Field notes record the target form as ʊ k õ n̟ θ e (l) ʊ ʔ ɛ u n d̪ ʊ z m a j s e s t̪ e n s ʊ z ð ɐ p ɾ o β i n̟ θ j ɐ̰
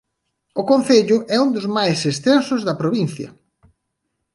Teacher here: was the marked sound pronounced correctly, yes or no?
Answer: no